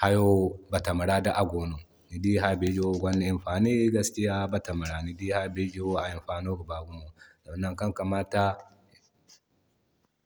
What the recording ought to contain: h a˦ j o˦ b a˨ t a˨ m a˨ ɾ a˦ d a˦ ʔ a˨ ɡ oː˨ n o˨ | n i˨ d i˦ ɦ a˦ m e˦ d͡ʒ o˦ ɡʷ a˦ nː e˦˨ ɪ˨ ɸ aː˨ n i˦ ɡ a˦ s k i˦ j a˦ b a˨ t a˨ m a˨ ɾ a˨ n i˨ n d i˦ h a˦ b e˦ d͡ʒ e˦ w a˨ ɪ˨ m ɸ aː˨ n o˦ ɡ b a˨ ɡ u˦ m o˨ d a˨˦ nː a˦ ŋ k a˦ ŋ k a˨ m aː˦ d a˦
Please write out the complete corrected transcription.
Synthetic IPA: h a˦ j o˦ b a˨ t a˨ m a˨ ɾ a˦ d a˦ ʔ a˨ ɡ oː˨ n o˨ | n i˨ d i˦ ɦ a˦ b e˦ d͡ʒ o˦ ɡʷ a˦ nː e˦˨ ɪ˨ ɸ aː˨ n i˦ ɡ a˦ s k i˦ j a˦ b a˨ t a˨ m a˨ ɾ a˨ n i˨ d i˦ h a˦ b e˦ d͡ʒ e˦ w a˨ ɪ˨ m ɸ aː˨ n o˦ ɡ b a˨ ɡ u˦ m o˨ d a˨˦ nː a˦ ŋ k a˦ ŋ k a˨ m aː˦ t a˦